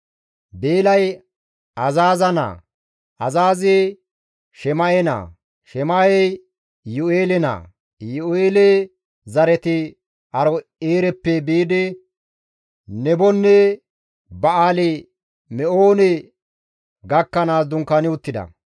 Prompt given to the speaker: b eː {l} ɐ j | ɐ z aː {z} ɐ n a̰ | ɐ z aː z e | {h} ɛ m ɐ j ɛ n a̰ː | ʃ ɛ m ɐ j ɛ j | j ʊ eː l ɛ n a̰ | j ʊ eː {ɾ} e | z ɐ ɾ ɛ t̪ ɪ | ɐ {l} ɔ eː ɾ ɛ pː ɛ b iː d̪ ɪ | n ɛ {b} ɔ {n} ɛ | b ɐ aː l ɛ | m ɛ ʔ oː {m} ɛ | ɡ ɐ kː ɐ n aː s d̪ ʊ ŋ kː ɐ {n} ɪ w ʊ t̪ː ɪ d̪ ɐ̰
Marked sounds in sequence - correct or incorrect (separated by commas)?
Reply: correct, correct, incorrect, incorrect, incorrect, correct, incorrect, incorrect, correct